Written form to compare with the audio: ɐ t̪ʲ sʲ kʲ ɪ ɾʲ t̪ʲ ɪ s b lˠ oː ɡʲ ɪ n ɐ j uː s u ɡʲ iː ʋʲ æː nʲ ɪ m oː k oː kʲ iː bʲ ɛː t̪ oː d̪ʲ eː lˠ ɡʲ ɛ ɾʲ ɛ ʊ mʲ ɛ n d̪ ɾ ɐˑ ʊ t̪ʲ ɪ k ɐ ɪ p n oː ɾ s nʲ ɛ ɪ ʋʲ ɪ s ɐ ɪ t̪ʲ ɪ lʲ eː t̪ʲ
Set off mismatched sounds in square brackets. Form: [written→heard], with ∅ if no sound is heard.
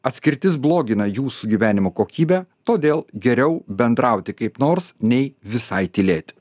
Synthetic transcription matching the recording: ɐ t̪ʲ sʲ kʲ ɪ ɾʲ t̪ʲ ɪ s b lˠ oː ɡʲ ɪ n ɐ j uː s u ɡʲ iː ʋʲ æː nʲ ɪ m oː k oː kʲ iː bʲ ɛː t̪ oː d̪ʲ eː lˠ ɡʲ ɛ ɾʲ ɛ ʊ [mʲ→bʲ] ɛ n d̪ ɾ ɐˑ ʊ t̪ʲ ɪ k ɐ ɪ p n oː ɾ s nʲ ɛ ɪ ʋʲ ɪ s ɐ ɪ t̪ʲ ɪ lʲ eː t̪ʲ